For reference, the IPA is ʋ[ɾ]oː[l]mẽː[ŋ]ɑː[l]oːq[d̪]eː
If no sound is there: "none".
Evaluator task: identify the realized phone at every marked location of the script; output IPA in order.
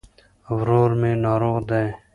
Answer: ɾ, ɾ, n, ɾ, d̪

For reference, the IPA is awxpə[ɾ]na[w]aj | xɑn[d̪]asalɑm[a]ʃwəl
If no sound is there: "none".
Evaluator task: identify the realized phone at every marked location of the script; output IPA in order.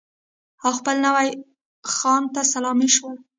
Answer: l, w, t̪, i

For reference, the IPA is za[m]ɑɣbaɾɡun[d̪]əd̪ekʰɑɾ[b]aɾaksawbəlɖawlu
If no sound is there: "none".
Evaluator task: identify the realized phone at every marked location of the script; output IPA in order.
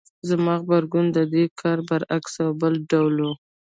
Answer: m, d̪, b

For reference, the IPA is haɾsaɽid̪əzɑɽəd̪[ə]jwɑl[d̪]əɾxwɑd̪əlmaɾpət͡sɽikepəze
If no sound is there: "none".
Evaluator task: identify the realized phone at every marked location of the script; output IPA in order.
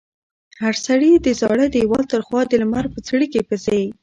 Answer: ə, t̪

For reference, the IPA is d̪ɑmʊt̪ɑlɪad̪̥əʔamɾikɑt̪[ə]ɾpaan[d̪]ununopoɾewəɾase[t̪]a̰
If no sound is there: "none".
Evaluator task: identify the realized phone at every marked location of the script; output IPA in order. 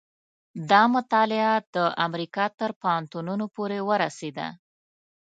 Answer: ə, t̪, d̪

